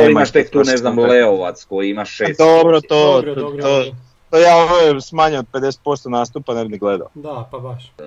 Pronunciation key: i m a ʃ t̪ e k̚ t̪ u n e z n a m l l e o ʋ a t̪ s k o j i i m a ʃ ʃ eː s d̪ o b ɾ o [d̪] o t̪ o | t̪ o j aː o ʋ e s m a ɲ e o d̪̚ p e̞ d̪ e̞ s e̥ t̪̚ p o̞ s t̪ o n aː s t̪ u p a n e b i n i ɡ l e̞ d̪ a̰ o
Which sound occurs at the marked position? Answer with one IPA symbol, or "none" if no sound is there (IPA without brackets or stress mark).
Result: t̪